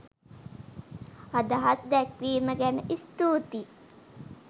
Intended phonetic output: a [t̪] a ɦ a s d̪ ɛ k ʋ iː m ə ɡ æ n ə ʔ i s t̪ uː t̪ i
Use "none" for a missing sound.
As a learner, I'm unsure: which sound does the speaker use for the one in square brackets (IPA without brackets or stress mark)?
d̪